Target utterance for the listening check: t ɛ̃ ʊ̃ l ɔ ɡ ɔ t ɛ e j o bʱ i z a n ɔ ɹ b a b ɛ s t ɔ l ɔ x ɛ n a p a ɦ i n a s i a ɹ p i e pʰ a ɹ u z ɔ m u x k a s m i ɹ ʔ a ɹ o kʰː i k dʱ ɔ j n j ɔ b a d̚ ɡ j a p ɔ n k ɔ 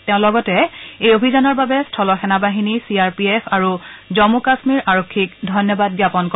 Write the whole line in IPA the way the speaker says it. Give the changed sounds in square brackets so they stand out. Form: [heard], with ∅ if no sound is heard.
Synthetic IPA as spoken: t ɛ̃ ʊ̃ l ɔ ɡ ɔ t ɛ e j o bʱ i z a n ɔ ɹ b a b ɛ s [tʰ] ɔ l ɔ x ɛ n a [b] a ɦ i n [i] s i a ɹ p i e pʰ a ɹ u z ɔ m u [∅] k a s m i ɹ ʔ a ɹ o kʰː i k dʱ ɔ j n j ɔ b a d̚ ɡ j a p ɔ n k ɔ